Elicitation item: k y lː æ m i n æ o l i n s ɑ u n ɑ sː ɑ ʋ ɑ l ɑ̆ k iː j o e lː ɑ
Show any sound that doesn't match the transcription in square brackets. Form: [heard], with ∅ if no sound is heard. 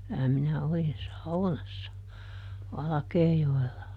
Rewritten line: k y [l] æ m i n æ o l i n s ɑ u n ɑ sː ɑ ʋ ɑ l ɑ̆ k [eː] j o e lː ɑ